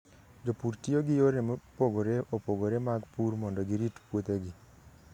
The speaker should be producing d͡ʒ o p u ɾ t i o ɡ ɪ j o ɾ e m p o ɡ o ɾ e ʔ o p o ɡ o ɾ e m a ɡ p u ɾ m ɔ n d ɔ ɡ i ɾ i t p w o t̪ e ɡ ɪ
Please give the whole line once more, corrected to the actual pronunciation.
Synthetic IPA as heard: d͡ʒ o p u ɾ t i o ɡ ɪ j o ɾ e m p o ɡ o ɾ e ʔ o p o ɡ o ɾ e m a ɡ p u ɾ m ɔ n d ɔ ɡ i ɾ i t p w o t̪ e ɡ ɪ

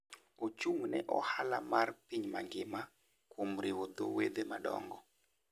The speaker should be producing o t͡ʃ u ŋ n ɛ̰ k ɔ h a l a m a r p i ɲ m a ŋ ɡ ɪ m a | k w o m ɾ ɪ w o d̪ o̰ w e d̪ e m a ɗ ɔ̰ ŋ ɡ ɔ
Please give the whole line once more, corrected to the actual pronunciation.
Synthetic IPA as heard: o t͡ʃ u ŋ n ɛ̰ ʔ ɔ h a l a m a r p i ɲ m a ŋ ɡ ɪ m a | k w o m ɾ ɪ w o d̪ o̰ w e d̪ e m a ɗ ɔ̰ ŋ ɡ ɔ

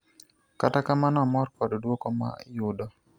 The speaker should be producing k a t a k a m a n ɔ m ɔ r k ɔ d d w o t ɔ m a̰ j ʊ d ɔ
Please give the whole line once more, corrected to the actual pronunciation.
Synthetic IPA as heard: k a t a k a m a n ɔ m ɔ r k ɔ d d w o k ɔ m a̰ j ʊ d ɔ

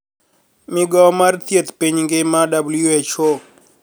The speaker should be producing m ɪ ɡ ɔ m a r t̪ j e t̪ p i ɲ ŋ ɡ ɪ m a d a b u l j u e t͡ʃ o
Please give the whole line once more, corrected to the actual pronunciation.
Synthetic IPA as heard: m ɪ ɡ ɔ m a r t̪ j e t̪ p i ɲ ŋ ɡ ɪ m a d a b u l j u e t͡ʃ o

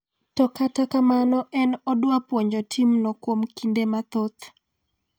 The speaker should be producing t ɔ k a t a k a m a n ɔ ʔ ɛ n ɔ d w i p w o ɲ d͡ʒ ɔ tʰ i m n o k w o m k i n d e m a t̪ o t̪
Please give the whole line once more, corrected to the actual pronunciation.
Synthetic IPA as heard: t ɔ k a t a k a m a n ɔ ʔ ɛ n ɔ d w a p w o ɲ d͡ʒ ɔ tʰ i m n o k w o m k i n d e m a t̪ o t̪

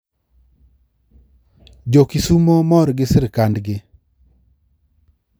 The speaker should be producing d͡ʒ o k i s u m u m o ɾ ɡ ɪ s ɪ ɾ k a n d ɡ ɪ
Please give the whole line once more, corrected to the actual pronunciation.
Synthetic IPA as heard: d͡ʒ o k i s u m o m ɔ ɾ ɡ ɪ s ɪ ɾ k a n d ɡ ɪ

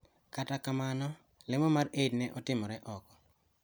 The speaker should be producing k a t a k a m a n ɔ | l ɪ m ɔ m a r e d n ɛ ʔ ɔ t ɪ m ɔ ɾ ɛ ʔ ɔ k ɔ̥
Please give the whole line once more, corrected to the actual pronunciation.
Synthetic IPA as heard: k a t a k a m a n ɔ | l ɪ m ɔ m a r e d n ɛ ʔ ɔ t ɪ m ɔ ɾ ɛ ʔ ɔ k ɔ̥

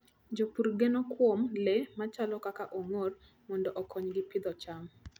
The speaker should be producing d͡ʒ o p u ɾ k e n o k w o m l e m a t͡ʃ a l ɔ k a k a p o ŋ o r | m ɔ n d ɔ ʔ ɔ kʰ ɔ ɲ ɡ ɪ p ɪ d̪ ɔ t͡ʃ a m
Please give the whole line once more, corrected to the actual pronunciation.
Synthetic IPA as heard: d͡ʒ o p u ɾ ɡ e n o k w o m l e m a t͡ʃ a l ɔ k a k a ʔ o ŋ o r | m ɔ n d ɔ ʔ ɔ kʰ ɔ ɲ ɡ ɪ p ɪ d̪ ɔ t͡ʃ a m

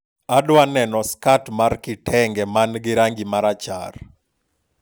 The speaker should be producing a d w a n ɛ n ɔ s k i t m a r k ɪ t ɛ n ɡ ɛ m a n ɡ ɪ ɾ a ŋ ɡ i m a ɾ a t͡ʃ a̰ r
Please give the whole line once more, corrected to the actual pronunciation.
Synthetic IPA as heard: a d w a n ɛ n ɔ s k a t m a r k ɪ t ɛ ŋ ɡ ɛ m a n ɡ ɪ ɾ a ŋ ɡ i m a ɾ a t͡ʃ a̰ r

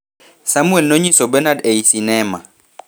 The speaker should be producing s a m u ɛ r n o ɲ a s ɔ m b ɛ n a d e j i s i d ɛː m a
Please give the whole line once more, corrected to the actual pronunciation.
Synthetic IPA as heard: s a m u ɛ l n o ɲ i s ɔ b ɛ n a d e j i s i n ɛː m a

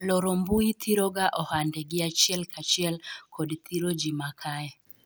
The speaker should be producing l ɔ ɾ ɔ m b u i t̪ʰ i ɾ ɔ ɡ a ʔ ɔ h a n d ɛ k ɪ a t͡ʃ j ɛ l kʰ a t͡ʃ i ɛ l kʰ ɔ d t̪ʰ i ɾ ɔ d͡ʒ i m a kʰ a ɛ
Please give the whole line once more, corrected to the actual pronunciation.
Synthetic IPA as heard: l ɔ ɾ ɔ m b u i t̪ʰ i ɾ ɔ ɡ a ʔ ɔ h a n d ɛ ɡ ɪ a t͡ʃ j ɛ l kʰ a t͡ʃ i ɛ l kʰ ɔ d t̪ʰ i ɾ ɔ d͡ʒ i m a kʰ a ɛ

